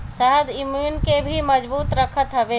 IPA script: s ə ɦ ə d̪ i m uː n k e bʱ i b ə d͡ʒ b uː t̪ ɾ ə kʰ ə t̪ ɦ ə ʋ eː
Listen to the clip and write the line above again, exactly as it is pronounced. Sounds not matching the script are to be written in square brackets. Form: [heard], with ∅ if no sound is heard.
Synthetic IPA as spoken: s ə ɦ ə d̪ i m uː n k e bʱ i [m] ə d͡ʒ b uː t̪ ɾ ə kʰ ə t̪ ɦ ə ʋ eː

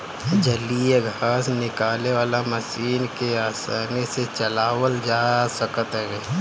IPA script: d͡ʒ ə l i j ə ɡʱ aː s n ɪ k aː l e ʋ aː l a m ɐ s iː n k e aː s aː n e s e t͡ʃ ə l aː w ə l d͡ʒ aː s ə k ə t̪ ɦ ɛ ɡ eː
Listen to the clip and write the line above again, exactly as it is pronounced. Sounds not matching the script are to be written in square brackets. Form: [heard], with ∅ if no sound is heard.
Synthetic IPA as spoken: d͡ʒ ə l i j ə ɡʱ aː s n ɪ k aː l e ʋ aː l a m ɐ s iː n k e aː s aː n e s e t͡ʃ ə l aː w ə l d͡ʒ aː s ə k ə t̪ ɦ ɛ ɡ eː

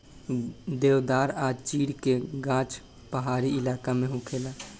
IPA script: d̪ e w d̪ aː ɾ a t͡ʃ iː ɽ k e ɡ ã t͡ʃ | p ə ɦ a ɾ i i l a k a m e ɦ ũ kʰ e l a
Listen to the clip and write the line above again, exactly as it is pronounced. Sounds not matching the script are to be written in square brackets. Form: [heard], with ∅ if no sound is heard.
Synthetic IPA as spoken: d̪ e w d̪ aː ɾ a t͡ʃ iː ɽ k e ɡ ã t͡ʃ | p ə ɦ a ɾ i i l a k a m e ɦ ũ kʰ e l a

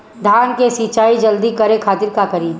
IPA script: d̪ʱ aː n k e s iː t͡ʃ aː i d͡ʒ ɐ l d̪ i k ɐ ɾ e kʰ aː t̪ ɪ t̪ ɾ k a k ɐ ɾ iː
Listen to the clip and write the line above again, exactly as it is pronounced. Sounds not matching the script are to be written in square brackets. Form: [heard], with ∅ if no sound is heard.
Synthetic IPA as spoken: d̪ʱ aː n k e s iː t͡ʃ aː i d͡ʒ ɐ l d̪ i k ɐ ɾ e kʰ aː t̪ ɪ [∅] ɾ k a k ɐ ɾ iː

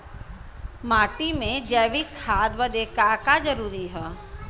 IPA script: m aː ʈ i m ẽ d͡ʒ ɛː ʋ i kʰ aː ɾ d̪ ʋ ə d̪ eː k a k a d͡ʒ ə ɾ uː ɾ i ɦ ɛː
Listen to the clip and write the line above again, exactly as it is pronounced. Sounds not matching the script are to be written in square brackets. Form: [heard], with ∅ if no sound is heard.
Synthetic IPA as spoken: m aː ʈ i m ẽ d͡ʒ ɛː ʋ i kʰ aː [∅] d̪ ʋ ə d̪ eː k a k a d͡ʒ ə ɾ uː ɾ i ɦ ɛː

